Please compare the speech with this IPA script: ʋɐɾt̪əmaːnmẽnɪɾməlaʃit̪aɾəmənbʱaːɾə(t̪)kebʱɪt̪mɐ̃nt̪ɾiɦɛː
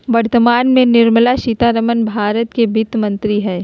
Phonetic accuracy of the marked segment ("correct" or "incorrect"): correct